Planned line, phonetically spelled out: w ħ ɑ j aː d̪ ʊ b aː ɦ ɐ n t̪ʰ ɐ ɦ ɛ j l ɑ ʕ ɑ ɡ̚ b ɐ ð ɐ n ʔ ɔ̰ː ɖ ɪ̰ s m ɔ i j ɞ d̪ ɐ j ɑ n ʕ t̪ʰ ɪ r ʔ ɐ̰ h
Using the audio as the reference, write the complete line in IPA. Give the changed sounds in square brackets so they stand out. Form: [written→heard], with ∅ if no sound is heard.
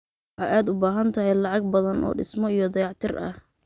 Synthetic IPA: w ħ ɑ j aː d̪ ʊ b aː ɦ ɐ n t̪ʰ ɐ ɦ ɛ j l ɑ ʕ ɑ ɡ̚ b ɐ ð ɐ n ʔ ɔ̰ː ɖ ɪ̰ s m ɔ i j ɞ d̪ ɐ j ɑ [n→∅] ʕ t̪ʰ ɪ r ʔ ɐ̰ h